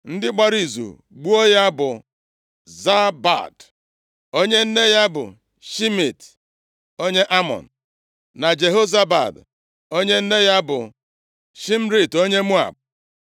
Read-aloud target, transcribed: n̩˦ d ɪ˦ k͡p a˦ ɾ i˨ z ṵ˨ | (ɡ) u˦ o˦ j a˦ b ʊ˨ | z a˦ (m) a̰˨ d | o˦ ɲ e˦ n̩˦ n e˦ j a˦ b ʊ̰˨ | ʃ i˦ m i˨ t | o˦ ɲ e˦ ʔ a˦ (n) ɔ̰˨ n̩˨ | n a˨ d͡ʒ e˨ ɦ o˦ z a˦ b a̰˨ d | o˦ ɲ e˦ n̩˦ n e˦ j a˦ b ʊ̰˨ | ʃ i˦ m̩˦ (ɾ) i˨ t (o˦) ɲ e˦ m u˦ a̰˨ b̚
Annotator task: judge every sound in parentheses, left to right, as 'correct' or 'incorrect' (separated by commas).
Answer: incorrect, incorrect, incorrect, correct, correct